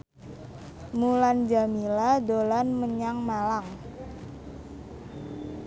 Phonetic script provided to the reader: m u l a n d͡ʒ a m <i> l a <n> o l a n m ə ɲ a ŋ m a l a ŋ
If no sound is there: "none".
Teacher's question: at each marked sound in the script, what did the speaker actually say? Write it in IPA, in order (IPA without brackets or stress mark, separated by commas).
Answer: i, d